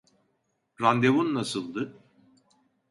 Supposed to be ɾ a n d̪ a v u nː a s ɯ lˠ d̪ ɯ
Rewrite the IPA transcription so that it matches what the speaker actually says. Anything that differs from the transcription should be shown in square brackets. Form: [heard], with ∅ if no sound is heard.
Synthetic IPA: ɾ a n d̪ [e] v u nː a s ɯ lˠ d̪ ɯ